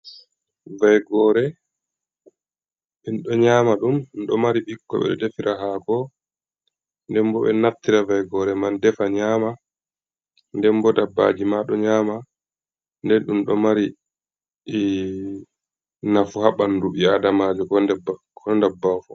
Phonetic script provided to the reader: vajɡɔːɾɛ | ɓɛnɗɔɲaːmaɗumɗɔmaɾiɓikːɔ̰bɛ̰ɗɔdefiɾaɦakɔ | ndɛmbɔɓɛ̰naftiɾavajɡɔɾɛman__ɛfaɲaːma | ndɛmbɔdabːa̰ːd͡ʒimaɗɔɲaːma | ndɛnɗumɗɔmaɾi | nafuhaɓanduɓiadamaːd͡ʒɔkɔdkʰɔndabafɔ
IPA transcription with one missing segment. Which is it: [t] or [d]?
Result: d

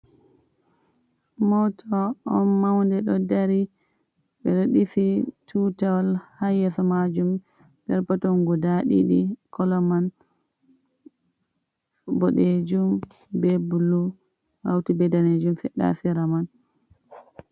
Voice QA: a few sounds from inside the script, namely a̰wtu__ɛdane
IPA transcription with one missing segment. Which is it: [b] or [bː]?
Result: b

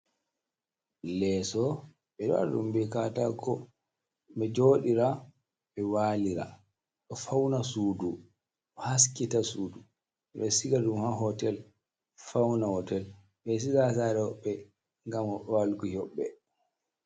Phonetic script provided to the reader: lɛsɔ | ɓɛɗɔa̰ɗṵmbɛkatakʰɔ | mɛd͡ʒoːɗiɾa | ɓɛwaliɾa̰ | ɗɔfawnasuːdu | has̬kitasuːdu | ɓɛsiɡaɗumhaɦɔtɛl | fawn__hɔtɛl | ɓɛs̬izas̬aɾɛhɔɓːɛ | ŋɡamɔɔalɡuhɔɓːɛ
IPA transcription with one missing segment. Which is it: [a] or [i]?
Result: a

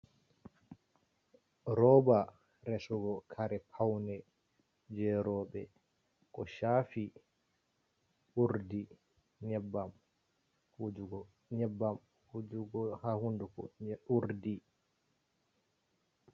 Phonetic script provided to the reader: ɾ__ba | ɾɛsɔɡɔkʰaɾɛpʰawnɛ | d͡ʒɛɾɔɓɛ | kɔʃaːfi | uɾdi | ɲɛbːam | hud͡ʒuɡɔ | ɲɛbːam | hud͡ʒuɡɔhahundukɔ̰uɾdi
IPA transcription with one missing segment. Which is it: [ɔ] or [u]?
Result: ɔ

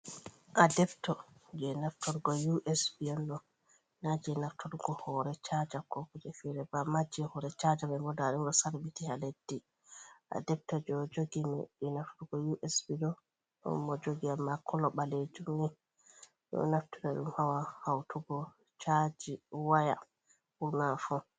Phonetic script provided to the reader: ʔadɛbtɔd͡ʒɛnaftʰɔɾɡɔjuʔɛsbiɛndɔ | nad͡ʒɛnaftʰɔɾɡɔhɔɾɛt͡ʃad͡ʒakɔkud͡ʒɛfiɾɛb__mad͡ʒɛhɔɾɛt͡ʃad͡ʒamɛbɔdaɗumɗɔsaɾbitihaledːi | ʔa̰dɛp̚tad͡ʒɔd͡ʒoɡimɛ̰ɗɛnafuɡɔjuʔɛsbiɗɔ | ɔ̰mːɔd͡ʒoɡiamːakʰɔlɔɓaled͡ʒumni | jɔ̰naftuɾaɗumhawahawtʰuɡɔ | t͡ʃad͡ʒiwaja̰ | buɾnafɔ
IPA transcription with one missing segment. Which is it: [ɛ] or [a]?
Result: a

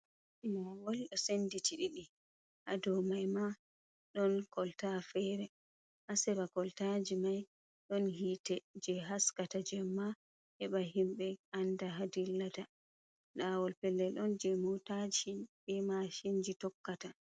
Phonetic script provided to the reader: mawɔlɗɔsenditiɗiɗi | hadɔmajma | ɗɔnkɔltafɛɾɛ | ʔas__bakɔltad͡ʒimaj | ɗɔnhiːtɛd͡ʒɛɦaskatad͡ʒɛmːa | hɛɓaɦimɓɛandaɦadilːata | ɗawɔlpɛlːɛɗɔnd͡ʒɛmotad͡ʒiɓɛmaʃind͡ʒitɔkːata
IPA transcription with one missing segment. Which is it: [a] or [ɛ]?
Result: ɛ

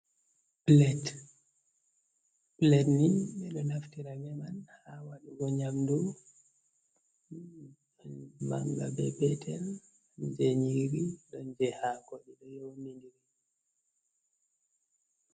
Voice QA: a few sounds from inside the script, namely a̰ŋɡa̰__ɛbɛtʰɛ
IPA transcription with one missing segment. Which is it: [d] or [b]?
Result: b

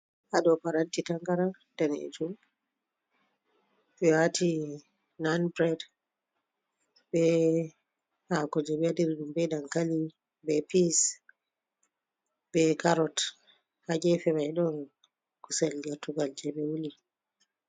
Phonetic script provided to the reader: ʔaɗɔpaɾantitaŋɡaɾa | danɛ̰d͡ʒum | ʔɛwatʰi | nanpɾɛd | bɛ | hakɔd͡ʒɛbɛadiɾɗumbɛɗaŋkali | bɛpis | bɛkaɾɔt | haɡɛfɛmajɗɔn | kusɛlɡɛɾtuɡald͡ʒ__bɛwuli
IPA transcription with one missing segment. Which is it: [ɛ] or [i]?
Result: ɛ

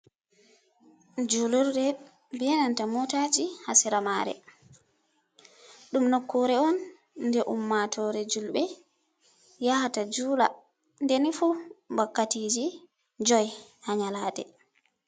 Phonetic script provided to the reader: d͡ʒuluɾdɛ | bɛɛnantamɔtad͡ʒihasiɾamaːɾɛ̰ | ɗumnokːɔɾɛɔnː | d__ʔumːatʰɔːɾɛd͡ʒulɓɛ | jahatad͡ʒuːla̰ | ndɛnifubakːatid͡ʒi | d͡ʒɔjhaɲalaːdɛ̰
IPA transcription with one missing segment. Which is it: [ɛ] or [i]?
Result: ɛ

